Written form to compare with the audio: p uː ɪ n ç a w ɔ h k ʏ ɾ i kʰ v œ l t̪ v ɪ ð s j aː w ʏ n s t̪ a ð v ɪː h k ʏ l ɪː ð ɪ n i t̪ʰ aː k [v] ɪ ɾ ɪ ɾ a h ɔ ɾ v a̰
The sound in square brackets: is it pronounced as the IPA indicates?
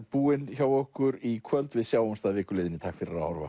no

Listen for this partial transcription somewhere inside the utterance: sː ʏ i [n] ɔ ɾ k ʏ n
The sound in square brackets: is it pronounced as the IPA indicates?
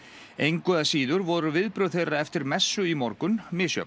no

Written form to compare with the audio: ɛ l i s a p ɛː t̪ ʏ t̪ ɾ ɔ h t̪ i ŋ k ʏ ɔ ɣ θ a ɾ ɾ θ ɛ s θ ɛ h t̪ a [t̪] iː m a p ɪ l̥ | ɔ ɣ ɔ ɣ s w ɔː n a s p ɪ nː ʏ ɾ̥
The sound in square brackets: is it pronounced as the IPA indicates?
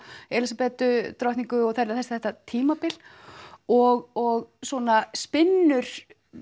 no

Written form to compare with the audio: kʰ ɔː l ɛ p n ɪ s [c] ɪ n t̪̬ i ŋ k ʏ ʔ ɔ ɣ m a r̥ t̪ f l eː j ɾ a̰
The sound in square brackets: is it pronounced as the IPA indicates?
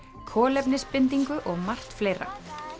no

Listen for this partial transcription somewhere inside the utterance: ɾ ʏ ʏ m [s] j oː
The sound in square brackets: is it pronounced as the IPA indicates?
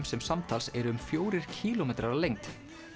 no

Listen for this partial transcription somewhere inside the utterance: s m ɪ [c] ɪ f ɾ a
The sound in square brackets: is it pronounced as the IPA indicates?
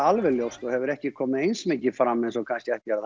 yes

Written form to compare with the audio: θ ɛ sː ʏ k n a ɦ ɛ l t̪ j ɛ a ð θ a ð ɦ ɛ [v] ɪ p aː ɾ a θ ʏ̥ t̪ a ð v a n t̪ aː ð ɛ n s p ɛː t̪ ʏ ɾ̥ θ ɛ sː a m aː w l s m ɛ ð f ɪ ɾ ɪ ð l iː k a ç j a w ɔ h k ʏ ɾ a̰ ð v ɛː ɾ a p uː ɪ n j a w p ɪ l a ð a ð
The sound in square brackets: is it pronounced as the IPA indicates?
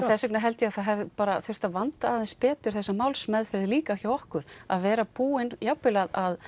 yes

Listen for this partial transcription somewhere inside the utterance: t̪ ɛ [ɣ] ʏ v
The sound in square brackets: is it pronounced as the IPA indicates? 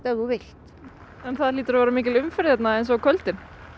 yes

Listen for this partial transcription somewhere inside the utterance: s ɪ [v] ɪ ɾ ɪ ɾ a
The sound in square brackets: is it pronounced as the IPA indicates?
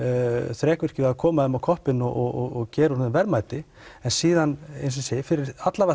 no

